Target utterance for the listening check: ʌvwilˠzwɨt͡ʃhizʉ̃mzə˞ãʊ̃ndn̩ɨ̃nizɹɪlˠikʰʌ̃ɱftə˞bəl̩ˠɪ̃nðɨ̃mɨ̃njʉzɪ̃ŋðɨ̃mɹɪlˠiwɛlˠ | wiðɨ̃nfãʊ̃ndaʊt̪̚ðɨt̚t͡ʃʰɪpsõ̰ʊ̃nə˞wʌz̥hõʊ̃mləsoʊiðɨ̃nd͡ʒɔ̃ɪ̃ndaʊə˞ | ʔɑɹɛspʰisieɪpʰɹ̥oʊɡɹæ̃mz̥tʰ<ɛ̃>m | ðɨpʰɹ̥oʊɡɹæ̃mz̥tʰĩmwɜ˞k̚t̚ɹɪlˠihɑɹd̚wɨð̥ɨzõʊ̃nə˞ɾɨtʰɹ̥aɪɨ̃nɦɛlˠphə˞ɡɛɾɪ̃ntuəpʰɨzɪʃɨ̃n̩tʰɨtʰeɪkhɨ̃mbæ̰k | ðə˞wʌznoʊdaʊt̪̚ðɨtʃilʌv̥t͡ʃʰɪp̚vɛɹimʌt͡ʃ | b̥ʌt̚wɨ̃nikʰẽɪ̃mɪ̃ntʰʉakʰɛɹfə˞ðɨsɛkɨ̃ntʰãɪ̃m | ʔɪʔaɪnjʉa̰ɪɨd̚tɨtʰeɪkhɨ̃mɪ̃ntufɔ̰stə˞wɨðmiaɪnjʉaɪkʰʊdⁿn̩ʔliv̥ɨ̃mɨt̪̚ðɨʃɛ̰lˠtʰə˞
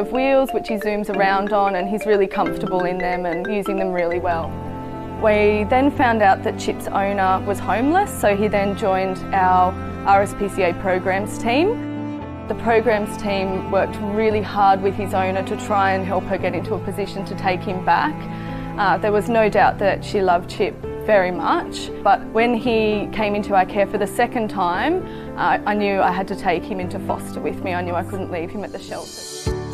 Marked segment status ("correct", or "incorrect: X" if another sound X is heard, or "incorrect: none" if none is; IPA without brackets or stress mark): incorrect: ĩ